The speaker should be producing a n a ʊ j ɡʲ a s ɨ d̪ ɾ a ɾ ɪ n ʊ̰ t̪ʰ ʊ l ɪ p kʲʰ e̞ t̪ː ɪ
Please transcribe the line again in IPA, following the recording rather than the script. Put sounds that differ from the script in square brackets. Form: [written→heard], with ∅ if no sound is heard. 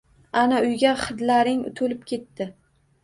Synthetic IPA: a n a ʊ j ɡʲ a [s→χ] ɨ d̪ [ɾ→l] a ɾ ɪ [n→ŋ] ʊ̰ t̪ʰ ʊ l ɪ p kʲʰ e̞ t̪ː ɪ